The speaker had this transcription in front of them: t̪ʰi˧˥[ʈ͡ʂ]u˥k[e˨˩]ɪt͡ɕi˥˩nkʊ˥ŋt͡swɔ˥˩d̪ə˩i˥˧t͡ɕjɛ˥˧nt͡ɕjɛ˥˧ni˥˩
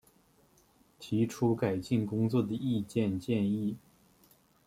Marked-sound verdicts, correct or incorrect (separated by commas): incorrect, incorrect